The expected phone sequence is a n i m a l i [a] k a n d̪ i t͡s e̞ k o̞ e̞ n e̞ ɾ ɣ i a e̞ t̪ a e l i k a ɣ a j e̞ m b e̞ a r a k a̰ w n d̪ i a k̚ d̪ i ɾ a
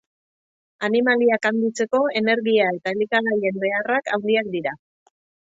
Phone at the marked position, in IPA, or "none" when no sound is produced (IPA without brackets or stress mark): a